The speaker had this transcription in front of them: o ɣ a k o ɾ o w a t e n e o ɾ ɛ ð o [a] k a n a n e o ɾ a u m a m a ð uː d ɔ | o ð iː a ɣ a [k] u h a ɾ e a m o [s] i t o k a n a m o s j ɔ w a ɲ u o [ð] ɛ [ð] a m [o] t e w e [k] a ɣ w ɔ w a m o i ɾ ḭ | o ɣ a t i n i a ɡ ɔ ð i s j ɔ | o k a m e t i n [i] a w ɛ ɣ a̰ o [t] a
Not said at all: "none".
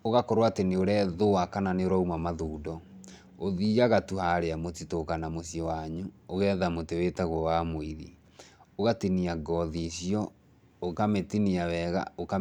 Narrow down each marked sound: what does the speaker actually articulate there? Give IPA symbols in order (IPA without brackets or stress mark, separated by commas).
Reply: a, t, t, ɣ, ð, o, t, i, k